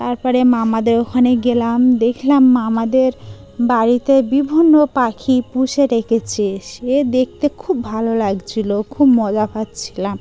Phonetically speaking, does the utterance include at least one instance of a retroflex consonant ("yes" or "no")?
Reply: no